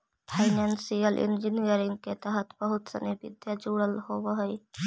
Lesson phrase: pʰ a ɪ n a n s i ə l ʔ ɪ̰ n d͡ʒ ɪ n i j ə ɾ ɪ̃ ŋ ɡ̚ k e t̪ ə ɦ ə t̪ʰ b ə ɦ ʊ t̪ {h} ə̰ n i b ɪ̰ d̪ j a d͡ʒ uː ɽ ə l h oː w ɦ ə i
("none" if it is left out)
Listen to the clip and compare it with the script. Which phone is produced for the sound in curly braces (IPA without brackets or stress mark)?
s